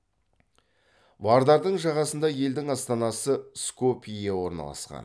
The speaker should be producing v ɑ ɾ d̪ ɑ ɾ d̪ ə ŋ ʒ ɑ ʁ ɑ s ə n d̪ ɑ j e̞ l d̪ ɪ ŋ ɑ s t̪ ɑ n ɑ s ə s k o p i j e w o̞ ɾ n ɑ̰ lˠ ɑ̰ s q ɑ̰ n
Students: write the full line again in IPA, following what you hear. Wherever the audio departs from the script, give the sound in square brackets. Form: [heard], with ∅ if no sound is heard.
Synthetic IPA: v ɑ ɾ d̪ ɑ ɾ d̪ ə [ɴ] ʒ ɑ ʁ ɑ s ə n d̪ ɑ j e̞ l d̪ ɪ ŋ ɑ s t̪ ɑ n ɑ s ə s k o p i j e w o̞ ɾ n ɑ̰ lˠ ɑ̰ s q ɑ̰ n